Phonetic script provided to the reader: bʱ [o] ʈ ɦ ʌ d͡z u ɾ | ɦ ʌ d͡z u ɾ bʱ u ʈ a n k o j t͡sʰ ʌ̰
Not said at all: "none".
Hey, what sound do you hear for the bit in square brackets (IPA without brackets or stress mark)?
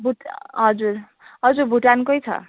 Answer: u